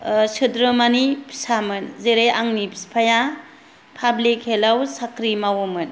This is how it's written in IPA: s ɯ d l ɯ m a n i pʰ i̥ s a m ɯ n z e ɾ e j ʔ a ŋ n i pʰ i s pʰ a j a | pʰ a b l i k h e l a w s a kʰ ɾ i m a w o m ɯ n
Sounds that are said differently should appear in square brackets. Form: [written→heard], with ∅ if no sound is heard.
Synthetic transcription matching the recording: s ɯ d [l→ɾ] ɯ m a n i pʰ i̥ s a m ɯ n z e ɾ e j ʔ a ŋ n i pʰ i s pʰ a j a | pʰ a b l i k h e l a w s a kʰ ɾ i m a w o m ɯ n